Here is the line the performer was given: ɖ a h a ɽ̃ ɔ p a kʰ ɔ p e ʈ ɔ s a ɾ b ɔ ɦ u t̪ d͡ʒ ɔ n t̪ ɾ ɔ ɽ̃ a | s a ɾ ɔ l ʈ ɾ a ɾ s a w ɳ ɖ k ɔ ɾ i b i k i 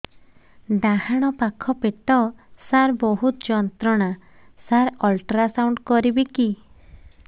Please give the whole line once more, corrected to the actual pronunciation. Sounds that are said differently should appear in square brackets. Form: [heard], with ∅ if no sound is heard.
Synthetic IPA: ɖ a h a ɽ̃ ɔ p a kʰ ɔ p e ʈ ɔ s a ɾ b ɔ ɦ u t̪ d͡ʒ ɔ n t̪ ɾ ɔ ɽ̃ a | s a ɾ ɔ l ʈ ɾ a [∅] s a w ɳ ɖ k ɔ ɾ i b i k i